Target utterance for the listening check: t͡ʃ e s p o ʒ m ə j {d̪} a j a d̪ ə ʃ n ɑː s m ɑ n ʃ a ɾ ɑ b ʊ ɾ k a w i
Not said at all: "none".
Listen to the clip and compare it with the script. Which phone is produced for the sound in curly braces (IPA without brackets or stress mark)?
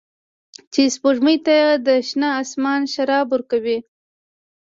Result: t̪